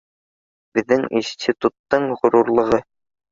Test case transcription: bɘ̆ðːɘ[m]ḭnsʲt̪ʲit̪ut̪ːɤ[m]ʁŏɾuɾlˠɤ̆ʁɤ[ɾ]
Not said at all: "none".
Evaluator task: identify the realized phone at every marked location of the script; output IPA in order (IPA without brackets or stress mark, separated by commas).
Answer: ŋ, ɴ, none